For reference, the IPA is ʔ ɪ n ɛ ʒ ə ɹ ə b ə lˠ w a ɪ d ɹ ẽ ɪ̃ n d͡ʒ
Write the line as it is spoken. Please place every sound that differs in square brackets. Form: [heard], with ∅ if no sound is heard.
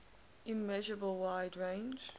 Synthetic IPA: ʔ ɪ [m] ɛ ʒ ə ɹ ə b ə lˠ w a ɪ d ɹ ẽ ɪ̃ n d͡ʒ